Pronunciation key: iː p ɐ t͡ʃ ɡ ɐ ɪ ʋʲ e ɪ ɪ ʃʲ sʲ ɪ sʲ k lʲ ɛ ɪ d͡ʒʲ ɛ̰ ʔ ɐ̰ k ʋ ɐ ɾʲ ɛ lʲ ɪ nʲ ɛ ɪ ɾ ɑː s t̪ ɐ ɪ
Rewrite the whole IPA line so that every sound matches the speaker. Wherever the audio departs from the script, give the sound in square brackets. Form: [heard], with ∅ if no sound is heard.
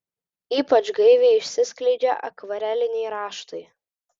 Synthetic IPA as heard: iː p ɐ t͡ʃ ɡ ɐ ɪ ʋʲ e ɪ ɪ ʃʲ sʲ ɪ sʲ k lʲ ɛ ɪ d͡ʒʲ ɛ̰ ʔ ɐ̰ k ʋ ɐ ɾʲ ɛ lʲ ɪ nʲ ɛ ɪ ɾ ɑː [ʃ] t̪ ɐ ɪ